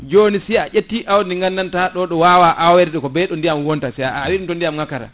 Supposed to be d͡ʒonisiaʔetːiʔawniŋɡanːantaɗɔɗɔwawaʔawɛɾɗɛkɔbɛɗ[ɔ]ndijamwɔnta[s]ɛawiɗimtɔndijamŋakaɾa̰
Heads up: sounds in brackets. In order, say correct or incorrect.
correct, correct

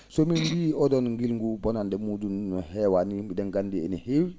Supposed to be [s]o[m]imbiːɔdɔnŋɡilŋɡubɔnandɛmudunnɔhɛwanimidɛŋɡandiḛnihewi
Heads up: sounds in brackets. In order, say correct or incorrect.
correct, correct

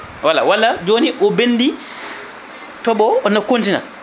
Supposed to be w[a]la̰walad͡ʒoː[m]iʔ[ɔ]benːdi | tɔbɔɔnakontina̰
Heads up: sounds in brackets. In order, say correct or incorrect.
correct, incorrect: n, correct

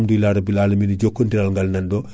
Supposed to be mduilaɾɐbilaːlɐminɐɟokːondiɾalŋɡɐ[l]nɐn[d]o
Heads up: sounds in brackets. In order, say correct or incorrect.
correct, correct

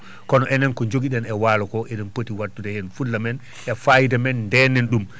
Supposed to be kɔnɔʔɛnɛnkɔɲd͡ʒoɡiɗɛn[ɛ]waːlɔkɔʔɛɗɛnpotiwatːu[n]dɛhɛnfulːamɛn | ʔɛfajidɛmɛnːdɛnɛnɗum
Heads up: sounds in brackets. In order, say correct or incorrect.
correct, incorrect: none

